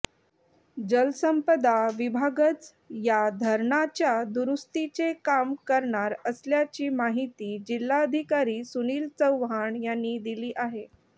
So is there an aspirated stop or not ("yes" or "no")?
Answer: no